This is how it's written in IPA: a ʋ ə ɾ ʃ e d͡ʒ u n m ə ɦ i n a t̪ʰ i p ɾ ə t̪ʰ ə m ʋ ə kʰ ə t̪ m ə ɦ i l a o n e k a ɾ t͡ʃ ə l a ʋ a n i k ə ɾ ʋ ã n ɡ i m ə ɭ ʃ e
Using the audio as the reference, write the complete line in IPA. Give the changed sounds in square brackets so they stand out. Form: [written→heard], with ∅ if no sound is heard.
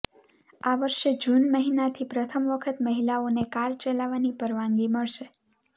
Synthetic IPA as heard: a ʋ ə ɾ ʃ e d͡ʒ u n m ə ɦ i n a t̪ʰ i p ɾ ə t̪ʰ ə m ʋ ə kʰ ə t̪ m ə ɦ i l a o n e k a ɾ t͡ʃ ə l a ʋ a n i [k→p] ə ɾ ʋ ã [n→ŋ] ɡ i m ə ɭ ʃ e